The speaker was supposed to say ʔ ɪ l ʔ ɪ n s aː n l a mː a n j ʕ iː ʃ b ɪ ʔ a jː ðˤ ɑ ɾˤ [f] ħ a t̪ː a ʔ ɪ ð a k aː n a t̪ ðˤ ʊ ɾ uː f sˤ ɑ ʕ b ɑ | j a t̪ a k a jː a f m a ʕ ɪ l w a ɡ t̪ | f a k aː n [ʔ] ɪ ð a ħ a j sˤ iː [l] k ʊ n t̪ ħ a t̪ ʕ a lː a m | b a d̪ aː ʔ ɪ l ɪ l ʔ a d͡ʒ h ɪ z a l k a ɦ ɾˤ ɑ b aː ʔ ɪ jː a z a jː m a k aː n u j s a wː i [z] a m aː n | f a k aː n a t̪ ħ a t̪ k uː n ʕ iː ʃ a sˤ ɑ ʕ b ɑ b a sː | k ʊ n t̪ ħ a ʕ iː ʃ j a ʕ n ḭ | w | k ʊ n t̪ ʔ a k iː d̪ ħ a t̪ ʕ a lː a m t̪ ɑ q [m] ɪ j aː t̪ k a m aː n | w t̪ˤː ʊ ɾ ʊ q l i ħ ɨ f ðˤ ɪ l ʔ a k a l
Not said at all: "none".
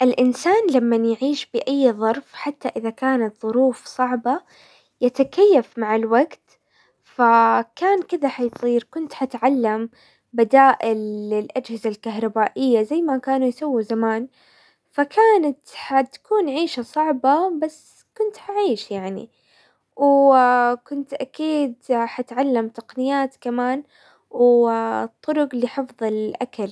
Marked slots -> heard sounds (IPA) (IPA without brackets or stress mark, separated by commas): f, k, ɾ, z, n